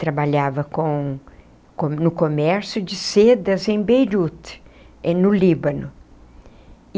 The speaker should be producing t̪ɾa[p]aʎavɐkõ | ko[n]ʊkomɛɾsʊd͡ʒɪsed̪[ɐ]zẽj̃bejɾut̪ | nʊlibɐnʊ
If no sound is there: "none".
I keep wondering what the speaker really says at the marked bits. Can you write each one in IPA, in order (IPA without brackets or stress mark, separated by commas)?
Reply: b, n, ɐ